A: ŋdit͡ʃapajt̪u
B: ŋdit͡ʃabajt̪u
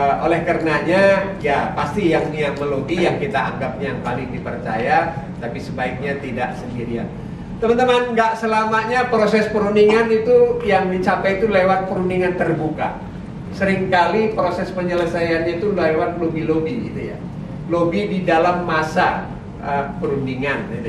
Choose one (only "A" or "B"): A